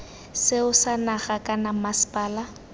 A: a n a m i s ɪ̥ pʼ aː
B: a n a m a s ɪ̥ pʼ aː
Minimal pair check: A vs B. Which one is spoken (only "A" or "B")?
B